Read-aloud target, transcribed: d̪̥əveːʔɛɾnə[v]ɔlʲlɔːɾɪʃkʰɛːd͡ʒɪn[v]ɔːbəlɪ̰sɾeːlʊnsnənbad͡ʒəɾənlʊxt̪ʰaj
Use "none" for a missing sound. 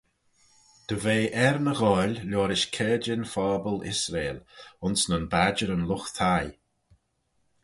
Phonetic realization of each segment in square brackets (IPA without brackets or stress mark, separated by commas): ɣ, f